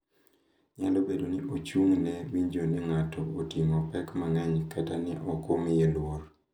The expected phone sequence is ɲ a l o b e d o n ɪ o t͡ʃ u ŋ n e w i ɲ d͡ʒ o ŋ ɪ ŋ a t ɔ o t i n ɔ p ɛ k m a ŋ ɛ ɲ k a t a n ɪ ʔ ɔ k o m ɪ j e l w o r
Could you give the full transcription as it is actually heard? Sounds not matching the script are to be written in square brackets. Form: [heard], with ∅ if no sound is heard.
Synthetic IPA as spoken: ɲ a l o b e d o n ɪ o t͡ʃ u ŋ n [ɛ] w i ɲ d͡ʒ o [n] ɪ ŋ a t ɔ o t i [ŋ] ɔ p ɛ k m a ŋ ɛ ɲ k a t a n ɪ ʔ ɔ k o m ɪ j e l w o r